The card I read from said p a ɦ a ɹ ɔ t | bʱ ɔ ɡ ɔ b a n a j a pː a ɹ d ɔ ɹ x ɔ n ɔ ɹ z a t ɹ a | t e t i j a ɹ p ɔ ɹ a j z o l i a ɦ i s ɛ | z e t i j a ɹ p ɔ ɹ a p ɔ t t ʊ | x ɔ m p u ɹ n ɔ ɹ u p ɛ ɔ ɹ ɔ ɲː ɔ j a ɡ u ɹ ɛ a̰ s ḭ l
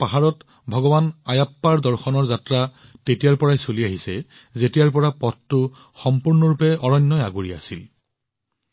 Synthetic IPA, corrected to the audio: p a ɦ a ɹ ɔ t | bʱ ɔ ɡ ɔ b a n a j a pː a ɹ d ɔ ɹ x ɔ n ɔ ɹ z a t ɹ a | t e t i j a ɹ p ɔ ɹ a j s o l i a ɦ i s ɛ | z e t i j a ɹ p ɔ ɹ a p ɔ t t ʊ | x ɔ m p u ɹ n ɔ ɹ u p ɛ ɔ ɹ ɔ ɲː ɔ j a ɡ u ɹ i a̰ s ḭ l

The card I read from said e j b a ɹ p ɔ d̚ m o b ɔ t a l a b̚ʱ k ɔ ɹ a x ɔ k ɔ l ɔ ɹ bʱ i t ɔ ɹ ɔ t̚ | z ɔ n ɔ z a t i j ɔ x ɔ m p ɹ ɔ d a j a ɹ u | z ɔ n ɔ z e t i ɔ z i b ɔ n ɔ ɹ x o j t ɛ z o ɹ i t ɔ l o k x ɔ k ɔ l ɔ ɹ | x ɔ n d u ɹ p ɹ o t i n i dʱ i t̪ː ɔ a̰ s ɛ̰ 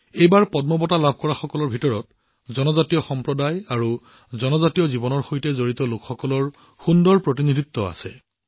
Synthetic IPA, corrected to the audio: e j b a ɹ p ɔ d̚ m ɔ b ɔ t a l a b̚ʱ k ɔ ɹ a x ɔ k ɔ l ɔ ɹ bʱ i t ɔ ɹ ɔ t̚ | z ɔ n ɔ z a t i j ɔ x ɔ m p ɹ ɔ d a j a ɹ u | z ɔ n ɔ z a t i ɔ z i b ɔ n ɔ ɹ x o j t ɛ z o ɹ i t ɔ l o k x ɔ k ɔ l ɔ ɹ | x u n d ɔ ɹ p ɹ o t i n i dʱ i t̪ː ɔ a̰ s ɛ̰

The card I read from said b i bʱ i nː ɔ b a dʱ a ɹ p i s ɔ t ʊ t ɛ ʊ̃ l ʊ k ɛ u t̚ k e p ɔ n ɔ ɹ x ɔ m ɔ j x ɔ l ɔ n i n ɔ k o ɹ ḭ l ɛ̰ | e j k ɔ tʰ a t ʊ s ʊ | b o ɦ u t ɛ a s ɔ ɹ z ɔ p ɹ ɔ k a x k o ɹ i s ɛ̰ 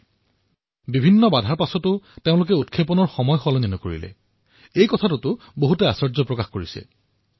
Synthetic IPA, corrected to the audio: b i bʱ i nː ɔ b a dʱ a ɹ p a s ɔ t ʊ t e ʊ̃ l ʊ k ɛ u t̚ kʰ e p ɔ n ɔ ɹ x ɔ m ɔ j x ɔ l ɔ n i n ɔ k o ɹ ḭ l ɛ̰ | e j k ɔ tʰ a t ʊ t ʊ | b o ɦ u t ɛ a s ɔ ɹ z ɔ p ɹ ɔ k a x k o ɹ i s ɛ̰

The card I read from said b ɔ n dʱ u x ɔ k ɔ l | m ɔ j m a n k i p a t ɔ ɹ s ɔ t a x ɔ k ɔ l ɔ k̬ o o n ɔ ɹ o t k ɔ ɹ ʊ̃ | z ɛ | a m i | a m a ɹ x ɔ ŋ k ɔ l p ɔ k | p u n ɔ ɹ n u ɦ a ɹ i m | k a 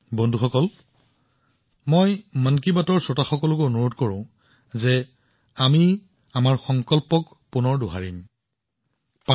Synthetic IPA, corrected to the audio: b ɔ n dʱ u x ɔ k ɔ l | m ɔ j m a n k i b a t ɔ ɹ s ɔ t a x ɔ k ɔ l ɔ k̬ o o n u ɹ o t k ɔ ɹ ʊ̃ | z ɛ | a m i | a m a ɹ x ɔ ŋ k ɔ l p ɔ k | p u n ɔ ɹ d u ɦ a ɹ i m | p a

